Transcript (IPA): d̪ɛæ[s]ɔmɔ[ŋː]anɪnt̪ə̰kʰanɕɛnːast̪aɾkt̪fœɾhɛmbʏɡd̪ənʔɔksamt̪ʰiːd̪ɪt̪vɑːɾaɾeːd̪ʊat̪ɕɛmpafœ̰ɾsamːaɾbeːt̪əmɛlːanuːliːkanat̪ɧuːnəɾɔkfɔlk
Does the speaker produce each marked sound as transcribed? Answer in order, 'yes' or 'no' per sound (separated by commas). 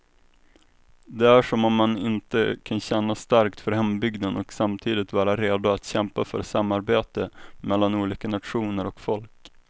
no, no